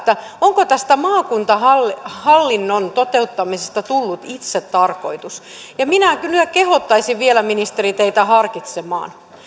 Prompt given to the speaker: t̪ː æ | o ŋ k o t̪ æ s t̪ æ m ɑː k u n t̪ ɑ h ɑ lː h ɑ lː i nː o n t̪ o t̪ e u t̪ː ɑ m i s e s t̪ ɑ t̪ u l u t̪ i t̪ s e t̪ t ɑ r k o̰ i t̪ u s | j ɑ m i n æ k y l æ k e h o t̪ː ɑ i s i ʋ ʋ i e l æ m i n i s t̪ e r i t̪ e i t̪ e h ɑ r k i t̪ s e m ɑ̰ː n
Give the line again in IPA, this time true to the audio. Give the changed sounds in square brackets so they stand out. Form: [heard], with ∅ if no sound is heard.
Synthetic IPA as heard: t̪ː æ | o ŋ k o t̪ æ s t̪ æ m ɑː k u n t̪ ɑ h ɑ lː h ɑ lː i nː o n t̪ o t̪ e u t̪ː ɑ m i s e s t̪ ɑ t̪ u [lː] u t̪ i t̪ s e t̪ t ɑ r k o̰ i t̪ u s | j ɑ m i n æ k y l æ k e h o t̪ː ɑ i s i ʋ ʋ i e l æ m i n i s t̪ e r i t̪ e i t̪ [æ] h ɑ r k i t̪ s e m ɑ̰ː n